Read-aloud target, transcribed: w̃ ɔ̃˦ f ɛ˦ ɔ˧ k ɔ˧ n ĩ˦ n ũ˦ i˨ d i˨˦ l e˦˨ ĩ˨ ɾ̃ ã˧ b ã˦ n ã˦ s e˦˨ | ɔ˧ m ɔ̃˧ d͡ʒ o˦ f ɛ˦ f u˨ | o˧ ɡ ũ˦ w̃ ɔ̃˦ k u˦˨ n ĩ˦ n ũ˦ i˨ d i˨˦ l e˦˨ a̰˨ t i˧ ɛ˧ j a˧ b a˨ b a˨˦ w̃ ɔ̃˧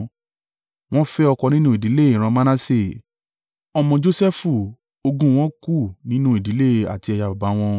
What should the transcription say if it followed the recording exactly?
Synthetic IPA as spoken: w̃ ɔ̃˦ f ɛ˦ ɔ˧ k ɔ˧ n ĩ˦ n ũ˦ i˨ d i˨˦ l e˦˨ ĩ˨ ɾ̃ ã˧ m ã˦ n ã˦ s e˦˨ | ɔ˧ m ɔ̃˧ d͡ʒ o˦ s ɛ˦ f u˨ | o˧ ɡ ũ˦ w̃ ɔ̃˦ k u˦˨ n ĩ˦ n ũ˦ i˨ d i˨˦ l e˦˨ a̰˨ t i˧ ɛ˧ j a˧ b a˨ b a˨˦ w̃ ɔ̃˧

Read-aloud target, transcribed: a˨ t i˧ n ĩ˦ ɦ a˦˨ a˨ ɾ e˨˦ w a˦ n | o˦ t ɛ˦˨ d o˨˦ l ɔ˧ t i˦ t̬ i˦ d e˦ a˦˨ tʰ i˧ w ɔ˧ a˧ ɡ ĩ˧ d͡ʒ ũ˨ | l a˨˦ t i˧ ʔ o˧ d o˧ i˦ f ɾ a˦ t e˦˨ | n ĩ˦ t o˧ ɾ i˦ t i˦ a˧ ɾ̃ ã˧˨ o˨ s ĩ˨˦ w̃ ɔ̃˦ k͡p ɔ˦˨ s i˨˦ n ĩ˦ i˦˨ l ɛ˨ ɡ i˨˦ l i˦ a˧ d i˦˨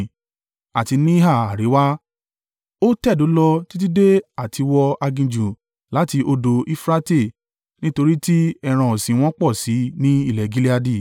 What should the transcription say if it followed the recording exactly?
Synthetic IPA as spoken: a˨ t i˧ n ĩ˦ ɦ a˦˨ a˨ ɾ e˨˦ w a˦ | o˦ t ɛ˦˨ d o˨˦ l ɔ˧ t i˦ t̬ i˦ d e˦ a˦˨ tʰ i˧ w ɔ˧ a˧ ɡ ĩ˧ d͡ʒ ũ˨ | l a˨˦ t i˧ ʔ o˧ d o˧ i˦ f ɾ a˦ t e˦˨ | n ĩ˦ t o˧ ɾ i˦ t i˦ ɛ˧ ɾ̃ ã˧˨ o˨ s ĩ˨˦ w̃ ɔ̃˦ k͡p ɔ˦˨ s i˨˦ n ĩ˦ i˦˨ l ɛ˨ ɡ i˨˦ l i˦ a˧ d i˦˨

